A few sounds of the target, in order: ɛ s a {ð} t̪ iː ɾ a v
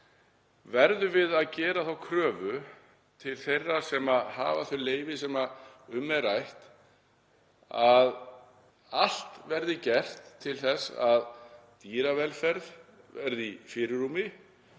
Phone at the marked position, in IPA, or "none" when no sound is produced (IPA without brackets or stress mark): ð